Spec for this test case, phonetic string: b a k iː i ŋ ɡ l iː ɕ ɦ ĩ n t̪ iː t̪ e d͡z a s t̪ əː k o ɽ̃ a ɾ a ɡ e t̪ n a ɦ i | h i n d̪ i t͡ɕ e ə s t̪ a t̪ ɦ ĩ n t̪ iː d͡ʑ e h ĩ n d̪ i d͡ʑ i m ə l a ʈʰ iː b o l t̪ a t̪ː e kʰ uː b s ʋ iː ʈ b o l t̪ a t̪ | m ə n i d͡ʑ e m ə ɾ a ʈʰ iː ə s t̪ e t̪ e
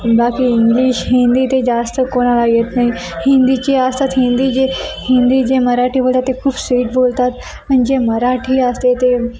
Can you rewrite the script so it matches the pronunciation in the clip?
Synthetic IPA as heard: b a k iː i ŋ ɡ l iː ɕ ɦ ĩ n d̪ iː t̪ e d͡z a s t̪ ə k o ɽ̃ a l a ɡ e t̪ n a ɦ i | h i n d̪ i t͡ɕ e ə s t̪ a t̪ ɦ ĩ n d̪ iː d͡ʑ e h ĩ n d̪ i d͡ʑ e m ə ɾ a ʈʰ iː b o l t̪ a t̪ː e kʰ uː b s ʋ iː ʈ b o l t̪ a t̪ | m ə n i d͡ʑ e m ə ɾ a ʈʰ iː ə s t̪ e t̪ e